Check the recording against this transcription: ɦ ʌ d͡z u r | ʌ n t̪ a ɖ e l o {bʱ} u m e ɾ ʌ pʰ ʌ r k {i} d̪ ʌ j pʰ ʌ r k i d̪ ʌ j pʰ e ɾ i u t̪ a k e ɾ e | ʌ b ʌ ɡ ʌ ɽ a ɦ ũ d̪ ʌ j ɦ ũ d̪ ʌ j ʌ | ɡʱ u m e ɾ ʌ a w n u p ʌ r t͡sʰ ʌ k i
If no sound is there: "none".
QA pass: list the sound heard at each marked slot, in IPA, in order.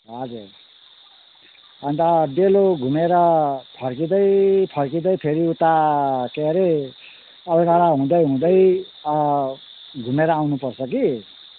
ɡʱ, i

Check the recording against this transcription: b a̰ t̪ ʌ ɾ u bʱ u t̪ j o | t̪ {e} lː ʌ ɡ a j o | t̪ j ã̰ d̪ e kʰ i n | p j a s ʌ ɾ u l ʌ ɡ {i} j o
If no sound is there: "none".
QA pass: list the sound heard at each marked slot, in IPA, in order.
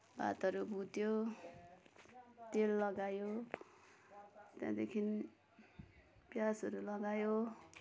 e, a

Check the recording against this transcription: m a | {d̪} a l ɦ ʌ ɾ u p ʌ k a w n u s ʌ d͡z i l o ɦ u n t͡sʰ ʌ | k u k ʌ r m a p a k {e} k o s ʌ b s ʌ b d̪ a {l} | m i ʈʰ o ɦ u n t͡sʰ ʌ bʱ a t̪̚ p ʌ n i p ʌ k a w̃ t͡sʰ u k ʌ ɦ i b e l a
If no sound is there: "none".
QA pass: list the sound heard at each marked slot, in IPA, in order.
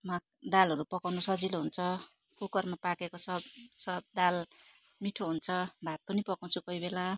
d̪, e, l

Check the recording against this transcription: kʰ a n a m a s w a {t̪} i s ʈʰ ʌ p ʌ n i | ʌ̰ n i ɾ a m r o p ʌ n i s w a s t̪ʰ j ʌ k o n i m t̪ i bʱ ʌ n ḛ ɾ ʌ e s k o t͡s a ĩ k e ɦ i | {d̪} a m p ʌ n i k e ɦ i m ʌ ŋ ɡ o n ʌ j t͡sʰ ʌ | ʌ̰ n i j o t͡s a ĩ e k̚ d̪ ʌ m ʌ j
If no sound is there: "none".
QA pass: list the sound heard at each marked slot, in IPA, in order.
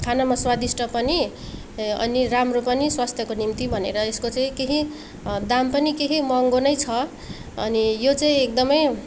d̪, d̪

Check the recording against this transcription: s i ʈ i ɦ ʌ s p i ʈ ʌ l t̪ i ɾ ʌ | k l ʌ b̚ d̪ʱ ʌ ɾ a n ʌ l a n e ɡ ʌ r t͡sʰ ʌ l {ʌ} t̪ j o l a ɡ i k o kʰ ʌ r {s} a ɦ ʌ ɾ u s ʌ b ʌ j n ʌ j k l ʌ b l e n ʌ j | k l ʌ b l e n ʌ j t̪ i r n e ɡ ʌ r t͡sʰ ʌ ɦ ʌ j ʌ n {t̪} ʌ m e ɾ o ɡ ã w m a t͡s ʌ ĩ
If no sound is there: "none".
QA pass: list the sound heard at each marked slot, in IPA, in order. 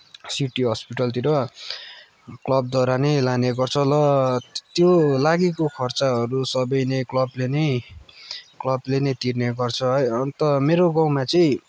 ʌ, t͡s, t̪

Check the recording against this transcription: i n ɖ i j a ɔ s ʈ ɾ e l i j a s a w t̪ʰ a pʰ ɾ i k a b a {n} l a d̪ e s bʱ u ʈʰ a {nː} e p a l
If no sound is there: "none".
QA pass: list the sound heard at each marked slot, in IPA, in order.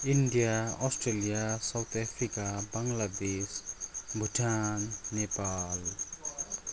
ŋ, nː

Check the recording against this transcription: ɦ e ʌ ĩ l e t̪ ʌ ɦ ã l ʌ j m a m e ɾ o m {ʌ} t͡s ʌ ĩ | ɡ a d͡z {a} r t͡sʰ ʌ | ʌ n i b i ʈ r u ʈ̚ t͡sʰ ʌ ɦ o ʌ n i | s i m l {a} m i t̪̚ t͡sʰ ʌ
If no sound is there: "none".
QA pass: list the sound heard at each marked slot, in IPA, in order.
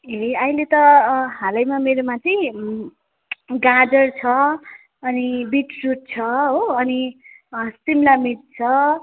a, ʌ, a

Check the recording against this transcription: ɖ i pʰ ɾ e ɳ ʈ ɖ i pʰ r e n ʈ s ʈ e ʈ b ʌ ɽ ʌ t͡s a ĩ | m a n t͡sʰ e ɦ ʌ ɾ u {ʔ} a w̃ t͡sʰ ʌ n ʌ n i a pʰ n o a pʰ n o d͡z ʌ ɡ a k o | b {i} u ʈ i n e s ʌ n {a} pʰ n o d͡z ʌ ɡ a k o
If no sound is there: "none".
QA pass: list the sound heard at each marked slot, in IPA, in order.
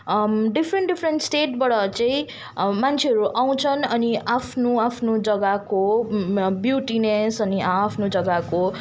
ʔ, j, i

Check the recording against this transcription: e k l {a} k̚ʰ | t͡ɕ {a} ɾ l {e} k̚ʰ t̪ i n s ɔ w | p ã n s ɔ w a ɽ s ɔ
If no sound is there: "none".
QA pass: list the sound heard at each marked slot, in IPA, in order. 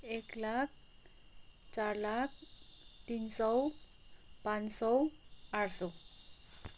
a, a, a

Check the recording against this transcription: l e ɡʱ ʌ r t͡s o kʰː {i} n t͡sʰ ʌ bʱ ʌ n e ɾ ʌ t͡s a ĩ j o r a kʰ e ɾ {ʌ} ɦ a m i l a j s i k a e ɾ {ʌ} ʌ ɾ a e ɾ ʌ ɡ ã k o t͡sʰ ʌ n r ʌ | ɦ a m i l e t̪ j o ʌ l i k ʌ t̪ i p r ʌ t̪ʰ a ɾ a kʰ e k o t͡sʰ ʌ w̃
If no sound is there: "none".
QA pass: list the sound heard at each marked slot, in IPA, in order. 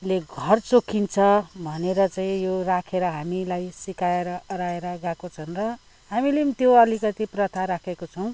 i, ʌ, ʌ

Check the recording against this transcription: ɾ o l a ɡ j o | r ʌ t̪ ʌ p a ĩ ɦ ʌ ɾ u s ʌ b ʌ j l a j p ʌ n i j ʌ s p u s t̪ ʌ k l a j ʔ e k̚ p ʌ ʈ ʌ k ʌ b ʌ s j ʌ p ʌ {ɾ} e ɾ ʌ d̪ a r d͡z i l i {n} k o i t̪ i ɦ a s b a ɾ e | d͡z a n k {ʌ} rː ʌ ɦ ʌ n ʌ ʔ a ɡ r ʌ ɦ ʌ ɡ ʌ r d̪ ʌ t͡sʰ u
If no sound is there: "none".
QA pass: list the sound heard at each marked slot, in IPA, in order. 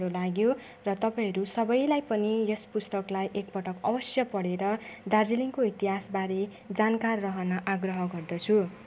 ɽ, ŋ, a

